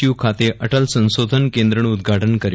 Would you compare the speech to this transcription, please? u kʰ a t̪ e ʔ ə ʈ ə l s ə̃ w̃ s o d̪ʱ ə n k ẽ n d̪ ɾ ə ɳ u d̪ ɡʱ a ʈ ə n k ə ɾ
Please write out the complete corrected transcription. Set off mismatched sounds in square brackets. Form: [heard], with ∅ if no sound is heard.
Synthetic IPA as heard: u kʰ a t̪ e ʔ ə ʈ ə l s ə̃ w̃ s o d̪ʱ ə n k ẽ n d̪ ɾ ə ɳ u d̪ ɡʱ a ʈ ə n k ə ɾ